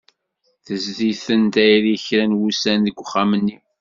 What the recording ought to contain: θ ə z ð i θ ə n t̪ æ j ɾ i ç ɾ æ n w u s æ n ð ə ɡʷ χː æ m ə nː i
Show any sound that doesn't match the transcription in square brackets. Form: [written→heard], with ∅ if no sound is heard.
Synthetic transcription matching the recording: θ ə z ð i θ ə n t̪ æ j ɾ i ç ɾ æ n w u s æ n ð ə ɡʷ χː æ m ə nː i